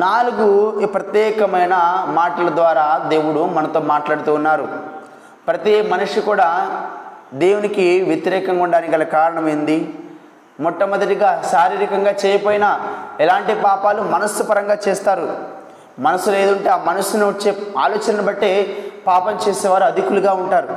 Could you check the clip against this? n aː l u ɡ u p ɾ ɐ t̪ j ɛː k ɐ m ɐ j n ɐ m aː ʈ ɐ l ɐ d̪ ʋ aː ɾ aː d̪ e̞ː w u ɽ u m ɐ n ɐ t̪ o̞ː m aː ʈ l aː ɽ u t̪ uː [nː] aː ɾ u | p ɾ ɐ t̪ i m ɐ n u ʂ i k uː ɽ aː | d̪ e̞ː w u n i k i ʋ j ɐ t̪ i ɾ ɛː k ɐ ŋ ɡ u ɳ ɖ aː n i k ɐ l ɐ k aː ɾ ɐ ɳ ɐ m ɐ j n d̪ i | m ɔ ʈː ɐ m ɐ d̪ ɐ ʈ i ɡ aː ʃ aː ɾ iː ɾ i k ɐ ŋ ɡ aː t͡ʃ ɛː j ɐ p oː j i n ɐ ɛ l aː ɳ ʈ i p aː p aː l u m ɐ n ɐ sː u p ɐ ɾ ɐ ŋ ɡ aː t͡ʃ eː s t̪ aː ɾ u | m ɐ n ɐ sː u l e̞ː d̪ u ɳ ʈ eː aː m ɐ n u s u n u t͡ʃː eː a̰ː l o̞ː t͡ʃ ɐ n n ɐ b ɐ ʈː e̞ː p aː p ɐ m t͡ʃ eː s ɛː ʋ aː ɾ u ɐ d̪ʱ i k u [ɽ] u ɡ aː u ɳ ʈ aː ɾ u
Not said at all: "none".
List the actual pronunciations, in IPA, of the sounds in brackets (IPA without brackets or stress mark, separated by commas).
nː, l